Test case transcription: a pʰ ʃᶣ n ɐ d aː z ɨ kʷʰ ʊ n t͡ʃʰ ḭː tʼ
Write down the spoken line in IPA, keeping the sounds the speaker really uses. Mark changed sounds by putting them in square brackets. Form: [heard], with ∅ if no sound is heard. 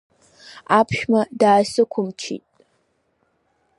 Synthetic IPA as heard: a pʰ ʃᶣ [m] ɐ d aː [s] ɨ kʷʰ ʊ [m] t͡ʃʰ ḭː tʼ